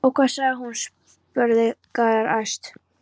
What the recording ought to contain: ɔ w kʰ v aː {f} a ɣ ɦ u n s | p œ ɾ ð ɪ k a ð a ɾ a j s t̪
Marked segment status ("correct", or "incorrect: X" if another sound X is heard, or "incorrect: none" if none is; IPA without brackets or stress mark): incorrect: s